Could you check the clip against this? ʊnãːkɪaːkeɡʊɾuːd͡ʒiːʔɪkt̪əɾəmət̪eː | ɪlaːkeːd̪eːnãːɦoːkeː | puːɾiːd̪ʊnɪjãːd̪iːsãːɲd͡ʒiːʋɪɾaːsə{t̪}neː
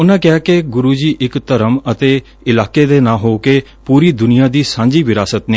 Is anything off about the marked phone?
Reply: no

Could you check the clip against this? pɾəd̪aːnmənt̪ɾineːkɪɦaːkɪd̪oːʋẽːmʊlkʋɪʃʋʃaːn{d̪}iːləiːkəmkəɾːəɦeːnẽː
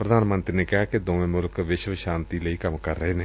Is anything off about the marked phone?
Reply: yes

